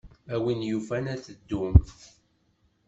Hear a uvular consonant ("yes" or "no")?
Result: no